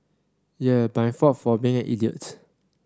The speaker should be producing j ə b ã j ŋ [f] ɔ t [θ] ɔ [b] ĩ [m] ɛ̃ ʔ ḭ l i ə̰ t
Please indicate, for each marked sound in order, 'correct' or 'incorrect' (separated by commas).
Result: correct, incorrect, correct, incorrect